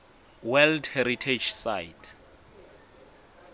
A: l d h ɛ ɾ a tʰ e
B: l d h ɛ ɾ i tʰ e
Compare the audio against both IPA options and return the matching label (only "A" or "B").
B